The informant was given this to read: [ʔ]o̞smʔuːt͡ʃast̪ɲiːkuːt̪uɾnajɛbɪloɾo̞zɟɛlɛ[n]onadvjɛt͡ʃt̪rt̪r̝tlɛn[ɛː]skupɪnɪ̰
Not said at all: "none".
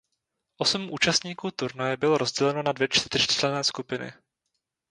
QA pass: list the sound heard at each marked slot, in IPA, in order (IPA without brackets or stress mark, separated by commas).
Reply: ʔ, n, ɛː